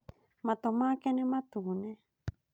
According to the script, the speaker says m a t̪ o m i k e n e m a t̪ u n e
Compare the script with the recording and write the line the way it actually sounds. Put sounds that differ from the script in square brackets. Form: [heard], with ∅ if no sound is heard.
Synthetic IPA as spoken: m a t̪ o m [a] k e n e m a t̪ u n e